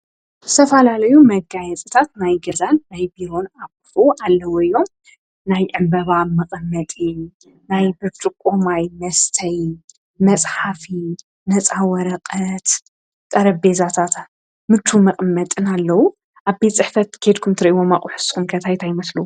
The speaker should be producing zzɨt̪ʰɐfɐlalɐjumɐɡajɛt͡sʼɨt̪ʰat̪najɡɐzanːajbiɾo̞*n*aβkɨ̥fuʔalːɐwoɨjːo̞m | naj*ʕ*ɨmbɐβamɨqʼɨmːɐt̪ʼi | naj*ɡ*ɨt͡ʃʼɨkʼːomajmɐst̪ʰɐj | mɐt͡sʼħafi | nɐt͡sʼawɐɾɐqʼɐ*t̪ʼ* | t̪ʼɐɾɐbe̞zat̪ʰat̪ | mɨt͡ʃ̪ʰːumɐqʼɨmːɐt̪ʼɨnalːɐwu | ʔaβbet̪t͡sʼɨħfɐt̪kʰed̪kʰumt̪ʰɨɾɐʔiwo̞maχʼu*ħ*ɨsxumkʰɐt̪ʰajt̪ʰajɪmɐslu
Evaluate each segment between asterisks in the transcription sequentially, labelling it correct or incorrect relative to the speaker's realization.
correct, correct, incorrect: b, incorrect: t̪, correct

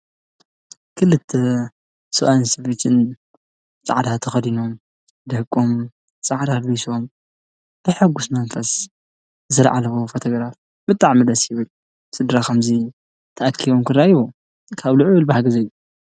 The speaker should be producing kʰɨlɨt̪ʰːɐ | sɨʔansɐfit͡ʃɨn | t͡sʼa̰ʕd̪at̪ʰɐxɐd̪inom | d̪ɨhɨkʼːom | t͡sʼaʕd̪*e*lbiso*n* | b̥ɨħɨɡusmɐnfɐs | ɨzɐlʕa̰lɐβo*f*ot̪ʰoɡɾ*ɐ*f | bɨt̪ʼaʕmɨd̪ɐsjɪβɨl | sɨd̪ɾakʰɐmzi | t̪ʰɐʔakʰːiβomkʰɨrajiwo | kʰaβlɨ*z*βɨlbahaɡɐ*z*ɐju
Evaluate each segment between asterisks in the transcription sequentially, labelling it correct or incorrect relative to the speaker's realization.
incorrect: a, incorrect: m, correct, incorrect: a, incorrect: ʕ, correct

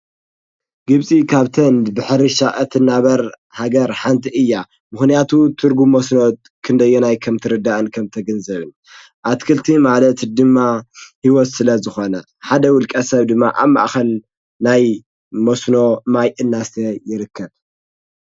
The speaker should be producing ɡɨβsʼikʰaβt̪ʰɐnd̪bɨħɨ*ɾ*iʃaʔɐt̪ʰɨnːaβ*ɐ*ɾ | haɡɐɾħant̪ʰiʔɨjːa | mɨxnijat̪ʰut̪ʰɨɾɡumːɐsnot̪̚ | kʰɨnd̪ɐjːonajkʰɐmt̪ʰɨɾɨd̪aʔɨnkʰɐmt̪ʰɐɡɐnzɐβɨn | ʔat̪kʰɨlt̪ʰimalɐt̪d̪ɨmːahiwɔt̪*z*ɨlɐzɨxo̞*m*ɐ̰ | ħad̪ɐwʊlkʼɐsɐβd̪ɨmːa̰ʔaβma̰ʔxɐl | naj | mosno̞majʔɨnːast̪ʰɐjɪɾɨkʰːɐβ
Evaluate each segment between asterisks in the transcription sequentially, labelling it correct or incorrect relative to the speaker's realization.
correct, correct, incorrect: s, incorrect: n

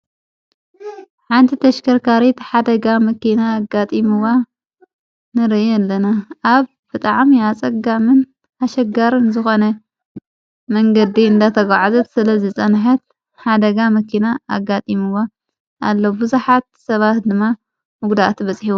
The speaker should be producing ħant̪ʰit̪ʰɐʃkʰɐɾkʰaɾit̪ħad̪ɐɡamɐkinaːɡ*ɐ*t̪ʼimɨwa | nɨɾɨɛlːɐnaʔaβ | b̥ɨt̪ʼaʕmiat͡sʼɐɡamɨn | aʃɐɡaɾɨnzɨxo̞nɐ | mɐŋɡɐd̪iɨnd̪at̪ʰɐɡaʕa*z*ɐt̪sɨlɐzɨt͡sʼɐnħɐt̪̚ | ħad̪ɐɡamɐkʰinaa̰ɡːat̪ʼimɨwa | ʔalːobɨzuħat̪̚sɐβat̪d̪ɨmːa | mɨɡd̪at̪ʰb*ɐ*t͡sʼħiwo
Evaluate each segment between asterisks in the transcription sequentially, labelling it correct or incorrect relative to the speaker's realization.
incorrect: a, correct, correct

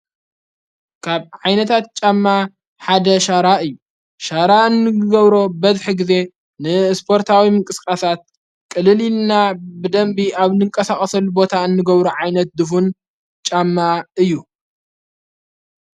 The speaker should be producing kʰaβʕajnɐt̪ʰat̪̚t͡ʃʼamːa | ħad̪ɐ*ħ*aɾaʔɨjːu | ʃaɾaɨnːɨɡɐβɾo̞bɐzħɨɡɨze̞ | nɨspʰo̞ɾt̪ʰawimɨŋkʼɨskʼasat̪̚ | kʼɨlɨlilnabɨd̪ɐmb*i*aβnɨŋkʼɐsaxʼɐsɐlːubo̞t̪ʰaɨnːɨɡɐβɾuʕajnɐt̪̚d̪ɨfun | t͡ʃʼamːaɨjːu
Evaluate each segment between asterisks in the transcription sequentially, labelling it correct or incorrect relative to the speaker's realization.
incorrect: ʃ, correct

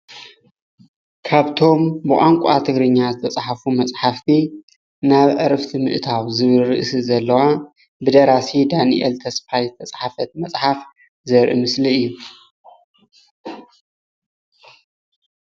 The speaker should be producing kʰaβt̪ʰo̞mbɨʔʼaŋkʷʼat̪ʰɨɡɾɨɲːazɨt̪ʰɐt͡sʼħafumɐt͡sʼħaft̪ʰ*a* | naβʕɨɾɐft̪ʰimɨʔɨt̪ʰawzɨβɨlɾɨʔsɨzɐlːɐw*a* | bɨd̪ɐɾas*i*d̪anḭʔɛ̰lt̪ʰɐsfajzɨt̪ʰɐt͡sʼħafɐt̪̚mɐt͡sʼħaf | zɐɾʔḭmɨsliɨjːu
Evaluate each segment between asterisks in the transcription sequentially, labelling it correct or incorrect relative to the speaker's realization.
incorrect: i, correct, correct

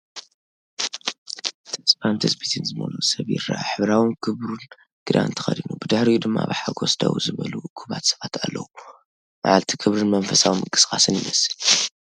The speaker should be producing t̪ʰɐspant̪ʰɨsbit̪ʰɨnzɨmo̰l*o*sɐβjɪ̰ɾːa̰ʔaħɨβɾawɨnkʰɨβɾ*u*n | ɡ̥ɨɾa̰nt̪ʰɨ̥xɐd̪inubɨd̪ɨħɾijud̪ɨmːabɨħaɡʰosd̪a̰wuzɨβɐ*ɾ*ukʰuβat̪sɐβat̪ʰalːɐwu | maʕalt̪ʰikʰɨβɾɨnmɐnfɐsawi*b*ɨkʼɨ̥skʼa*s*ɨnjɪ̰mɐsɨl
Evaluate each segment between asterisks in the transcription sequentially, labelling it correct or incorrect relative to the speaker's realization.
incorrect: u, correct, incorrect: l, incorrect: m, correct

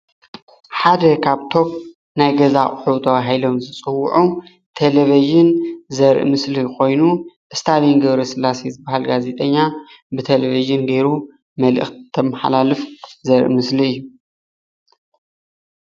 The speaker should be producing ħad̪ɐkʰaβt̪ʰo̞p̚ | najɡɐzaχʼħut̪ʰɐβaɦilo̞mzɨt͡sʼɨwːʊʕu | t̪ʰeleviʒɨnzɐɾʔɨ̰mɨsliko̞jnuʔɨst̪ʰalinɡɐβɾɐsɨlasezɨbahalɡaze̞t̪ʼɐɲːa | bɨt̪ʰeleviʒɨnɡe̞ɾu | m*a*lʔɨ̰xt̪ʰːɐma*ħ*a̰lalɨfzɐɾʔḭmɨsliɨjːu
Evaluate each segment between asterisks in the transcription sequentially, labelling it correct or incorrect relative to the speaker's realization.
incorrect: ɐ, correct

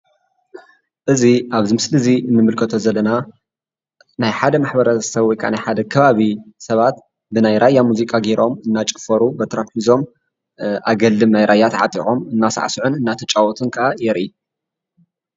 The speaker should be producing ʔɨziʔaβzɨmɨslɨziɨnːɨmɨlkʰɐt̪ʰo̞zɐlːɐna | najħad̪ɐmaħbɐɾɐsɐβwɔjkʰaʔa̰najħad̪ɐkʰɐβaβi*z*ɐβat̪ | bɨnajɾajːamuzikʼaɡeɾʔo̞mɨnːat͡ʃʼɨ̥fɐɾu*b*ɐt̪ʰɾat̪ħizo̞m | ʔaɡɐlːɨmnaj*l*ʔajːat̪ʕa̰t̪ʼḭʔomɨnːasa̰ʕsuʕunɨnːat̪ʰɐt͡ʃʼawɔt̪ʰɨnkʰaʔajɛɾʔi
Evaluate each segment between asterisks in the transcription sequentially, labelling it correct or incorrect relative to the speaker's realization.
incorrect: s, correct, incorrect: ɾ

